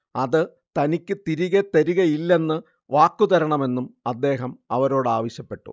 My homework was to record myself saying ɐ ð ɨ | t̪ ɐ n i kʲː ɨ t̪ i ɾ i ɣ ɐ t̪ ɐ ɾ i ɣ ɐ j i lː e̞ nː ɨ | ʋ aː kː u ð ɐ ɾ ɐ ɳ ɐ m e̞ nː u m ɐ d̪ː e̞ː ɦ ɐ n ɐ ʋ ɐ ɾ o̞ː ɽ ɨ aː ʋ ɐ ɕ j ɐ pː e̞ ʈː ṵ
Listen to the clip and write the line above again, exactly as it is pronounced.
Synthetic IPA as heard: ɐ ð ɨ | t̪ ɐ n i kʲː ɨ t̪ i ɾ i ɣ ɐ t̪ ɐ ɾ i ɣ ɐ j i lː e̞ nː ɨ | ʋ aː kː u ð ɐ ɾ ɐ ɳ ɐ m e̞ nː u m ɐ d̪ː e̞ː ɦ ɐ m ɐ ʋ ɐ ɾ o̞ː ɽ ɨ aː ʋ ɐ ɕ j ɐ pː e̞ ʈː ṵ

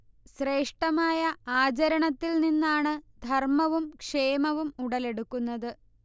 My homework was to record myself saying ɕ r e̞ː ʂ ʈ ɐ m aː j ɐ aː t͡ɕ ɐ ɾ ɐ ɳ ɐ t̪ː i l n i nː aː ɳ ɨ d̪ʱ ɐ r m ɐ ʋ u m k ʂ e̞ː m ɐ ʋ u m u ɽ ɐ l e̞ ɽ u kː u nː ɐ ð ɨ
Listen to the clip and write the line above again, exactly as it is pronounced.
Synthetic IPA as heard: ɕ r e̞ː ʂ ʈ ɐ m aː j ɐ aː t͡ɕ ɐ ɾ ɐ ɳ ɐ t̪ː i l n i nː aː ɳ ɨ d̪ʱ ɐ r m ɐ ʋ u m k ʂ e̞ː m ɐ ʋ u m u ɽ ɐ l e̞ ɽ u kː u nː ɐ ð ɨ

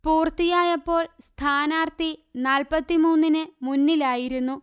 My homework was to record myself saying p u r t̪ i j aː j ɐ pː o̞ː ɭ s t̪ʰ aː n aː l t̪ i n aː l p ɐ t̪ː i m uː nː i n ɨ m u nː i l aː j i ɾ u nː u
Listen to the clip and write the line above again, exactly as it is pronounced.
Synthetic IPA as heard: p uː r t̪ i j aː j ɐ pː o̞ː ɭ s t̪ʰ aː n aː r t̪ i n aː l p ɐ t̪ː i m uː nː i n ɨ m u nː i l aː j i ɾ u nː u

